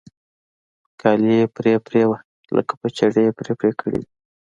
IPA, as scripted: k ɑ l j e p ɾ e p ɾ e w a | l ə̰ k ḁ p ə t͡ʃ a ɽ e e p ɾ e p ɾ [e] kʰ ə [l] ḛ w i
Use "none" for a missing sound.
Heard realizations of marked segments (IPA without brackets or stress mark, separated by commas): e, ɽ